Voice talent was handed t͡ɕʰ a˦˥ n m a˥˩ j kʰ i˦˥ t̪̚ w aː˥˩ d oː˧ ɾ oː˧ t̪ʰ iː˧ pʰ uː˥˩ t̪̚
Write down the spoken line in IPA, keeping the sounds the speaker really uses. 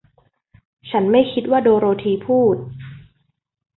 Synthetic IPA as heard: t͡ɕʰ a˦˥ n m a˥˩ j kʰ i˦˥ t̪̚ w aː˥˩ d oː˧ ɾ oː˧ t̪ʰ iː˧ pʰ uː˥˩ t̪̚